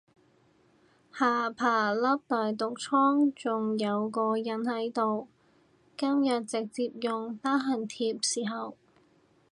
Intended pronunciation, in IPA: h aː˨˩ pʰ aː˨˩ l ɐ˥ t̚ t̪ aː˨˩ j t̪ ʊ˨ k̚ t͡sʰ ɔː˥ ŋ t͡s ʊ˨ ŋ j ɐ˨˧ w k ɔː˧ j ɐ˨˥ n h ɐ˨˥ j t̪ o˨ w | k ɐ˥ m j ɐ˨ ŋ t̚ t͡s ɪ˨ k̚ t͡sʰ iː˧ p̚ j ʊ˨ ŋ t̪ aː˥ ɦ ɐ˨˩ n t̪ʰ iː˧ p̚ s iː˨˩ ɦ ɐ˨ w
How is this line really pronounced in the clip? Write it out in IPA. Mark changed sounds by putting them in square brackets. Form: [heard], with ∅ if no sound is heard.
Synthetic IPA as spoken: h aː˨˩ pʰ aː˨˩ l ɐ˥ [p̚] t̪ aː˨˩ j t̪ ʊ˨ k̚ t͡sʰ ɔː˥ ŋ t͡s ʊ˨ ŋ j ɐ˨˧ w k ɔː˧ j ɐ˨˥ n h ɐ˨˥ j t̪ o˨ w | k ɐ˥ m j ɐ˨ [∅] t̚ t͡s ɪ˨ k̚ [t͡s] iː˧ p̚ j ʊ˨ ŋ t̪ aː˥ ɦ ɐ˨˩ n t̪ʰ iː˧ p̚ s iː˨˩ ɦ ɐ˨ w